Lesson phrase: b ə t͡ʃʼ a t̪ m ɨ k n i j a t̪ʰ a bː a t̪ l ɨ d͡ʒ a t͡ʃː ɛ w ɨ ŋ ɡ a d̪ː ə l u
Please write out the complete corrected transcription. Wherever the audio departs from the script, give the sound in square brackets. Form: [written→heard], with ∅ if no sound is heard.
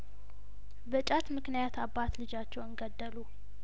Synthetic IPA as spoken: b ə t͡ʃʼ a t̪ m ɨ k n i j a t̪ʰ a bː a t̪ l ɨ d͡ʒ a t͡ʃː ɛ w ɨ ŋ ɡ [a→ə] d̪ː ə l u